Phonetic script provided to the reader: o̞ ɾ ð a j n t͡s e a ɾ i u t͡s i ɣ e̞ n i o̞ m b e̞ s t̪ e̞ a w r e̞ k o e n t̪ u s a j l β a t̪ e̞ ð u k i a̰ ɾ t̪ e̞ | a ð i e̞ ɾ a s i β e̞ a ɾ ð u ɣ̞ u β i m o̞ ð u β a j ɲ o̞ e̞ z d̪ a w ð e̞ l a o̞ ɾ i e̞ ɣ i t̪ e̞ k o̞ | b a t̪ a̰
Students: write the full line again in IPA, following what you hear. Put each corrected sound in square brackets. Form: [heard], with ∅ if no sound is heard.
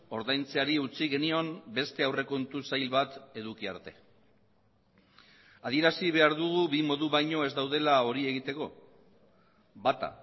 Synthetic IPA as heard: o̞ ɾ ð a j n t͡s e a ɾ i u t͡s i ɣ e̞ n i o̞ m b e̞ s t̪ e̞ a w r e̞ k o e n t̪ u s a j l β a t̪ e̞ ð u k i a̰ ɾ t̪ e̞ | a ð i e̞ ɾ a s i β e̞ a ɾ ð u ɣ̞ u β i m o̞ ð u β a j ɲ o̞ e̞ z d̪ a w ð e̞ l a o̞ ɾ i e̞ ɣ i t̪ e̞ k o̞ | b a t̪ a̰